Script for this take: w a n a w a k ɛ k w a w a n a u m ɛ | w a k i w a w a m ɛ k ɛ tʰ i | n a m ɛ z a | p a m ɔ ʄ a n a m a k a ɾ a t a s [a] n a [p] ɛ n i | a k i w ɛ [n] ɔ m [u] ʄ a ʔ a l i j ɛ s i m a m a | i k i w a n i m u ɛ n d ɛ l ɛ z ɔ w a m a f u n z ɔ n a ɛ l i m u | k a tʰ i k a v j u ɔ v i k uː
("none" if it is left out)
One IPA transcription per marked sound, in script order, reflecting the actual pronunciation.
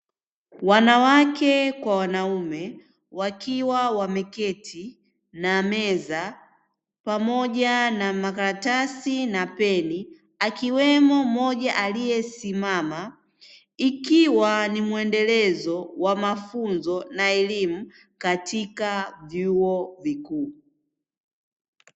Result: i, p, m, ɔ

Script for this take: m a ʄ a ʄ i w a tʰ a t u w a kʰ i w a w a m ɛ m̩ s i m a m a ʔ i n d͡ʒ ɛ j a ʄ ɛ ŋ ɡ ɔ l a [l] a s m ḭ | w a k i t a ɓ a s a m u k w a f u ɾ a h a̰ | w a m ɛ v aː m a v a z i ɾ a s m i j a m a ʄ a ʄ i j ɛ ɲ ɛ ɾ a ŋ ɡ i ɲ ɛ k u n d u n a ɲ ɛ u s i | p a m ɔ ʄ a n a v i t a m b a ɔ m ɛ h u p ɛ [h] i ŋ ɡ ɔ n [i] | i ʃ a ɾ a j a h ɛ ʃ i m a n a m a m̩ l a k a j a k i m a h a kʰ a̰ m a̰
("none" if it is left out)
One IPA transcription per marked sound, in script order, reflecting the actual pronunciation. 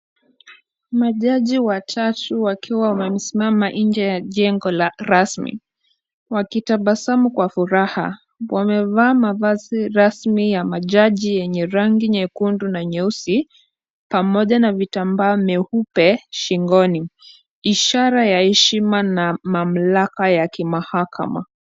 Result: ɾ, ʃ, i

